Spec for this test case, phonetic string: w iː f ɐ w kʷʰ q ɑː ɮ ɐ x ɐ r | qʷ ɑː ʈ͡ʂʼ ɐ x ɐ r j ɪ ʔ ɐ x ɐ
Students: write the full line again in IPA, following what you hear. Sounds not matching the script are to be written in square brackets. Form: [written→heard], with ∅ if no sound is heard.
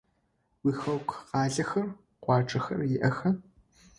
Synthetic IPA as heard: w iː [f→x] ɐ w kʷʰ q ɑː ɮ ɐ x ɐ r | qʷ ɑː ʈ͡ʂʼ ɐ x ɐ r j ɪ ʔ ɐ x ɐ